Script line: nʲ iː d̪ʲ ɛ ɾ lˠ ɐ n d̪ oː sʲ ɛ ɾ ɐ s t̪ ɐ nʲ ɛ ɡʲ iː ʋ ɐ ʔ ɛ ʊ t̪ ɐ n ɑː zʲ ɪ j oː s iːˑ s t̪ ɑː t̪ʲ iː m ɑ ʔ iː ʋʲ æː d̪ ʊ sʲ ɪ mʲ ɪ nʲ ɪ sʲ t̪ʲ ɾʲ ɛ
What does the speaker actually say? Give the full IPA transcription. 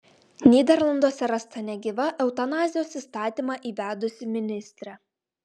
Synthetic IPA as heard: nʲ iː d̪ʲ ɛ ɾ lˠ ɐ n d̪ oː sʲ ɛ ɾ ɐ s t̪ ɐ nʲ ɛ ɡʲ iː ʋ ɐ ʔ ɛ ʊ t̪ ɐ n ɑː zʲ ɪ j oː s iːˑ s t̪ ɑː t̪ʲ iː m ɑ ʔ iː ʋʲ æː d̪ ʊ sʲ ɪ mʲ ɪ nʲ ɪ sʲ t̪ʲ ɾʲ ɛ